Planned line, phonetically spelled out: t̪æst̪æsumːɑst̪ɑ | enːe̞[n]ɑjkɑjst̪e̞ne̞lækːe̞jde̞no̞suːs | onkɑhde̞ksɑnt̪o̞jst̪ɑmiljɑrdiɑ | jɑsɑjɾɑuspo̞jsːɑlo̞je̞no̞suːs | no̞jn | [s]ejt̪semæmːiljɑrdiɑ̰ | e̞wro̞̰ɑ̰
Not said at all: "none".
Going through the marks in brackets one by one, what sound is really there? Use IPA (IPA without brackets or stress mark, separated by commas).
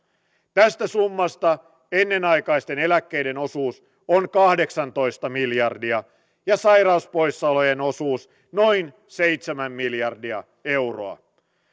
n, s